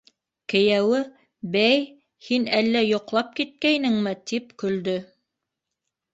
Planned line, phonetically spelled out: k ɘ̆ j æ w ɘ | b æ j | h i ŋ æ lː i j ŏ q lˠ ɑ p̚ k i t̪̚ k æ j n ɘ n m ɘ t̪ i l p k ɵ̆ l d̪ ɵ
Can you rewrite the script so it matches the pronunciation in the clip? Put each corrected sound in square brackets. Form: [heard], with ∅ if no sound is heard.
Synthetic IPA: k ɘ̆ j æ w ɘ | b æ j | h i [n] æ lː [æ] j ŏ q lˠ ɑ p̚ k i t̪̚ k æ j n ɘ [ŋ] m ɘ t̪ i [∅] p k ɵ̆ l d̪ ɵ